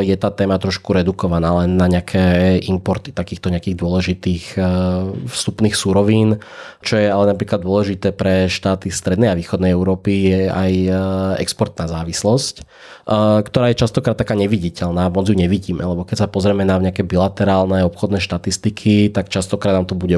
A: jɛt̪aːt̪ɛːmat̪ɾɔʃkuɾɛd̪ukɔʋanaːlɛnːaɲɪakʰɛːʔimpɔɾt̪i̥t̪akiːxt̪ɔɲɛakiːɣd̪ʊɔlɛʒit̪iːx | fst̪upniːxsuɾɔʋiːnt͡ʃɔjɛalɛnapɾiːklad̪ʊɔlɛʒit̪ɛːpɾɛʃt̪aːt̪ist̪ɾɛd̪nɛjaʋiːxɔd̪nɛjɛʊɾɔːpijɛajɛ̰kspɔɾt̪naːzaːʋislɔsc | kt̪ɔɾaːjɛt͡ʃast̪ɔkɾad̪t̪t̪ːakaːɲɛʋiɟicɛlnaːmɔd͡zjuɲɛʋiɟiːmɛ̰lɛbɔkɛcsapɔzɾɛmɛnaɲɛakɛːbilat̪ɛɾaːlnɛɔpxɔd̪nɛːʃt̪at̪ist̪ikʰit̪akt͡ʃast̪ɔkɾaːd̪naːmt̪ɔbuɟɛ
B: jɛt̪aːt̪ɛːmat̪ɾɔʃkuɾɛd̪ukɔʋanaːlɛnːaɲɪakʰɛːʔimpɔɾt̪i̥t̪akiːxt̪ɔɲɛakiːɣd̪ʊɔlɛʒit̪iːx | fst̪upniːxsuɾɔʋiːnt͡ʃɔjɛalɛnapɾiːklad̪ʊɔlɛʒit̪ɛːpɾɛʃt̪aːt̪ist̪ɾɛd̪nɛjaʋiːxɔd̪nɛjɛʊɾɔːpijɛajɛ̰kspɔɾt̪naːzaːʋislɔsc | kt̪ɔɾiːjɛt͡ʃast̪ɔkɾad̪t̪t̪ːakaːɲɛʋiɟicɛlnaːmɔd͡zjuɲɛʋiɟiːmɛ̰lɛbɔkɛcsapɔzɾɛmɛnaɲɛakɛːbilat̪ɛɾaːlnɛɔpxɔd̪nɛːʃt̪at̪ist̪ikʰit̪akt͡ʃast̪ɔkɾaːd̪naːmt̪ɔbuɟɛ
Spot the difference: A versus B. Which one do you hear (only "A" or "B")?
A